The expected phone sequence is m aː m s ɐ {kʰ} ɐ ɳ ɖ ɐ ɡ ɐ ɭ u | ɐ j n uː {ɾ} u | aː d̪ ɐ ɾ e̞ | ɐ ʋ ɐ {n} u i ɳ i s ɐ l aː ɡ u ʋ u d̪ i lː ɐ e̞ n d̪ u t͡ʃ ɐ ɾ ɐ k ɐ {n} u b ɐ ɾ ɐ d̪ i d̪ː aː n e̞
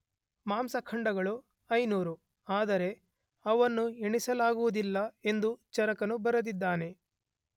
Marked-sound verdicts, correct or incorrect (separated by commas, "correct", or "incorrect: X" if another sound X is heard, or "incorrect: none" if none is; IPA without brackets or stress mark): correct, correct, incorrect: nː, correct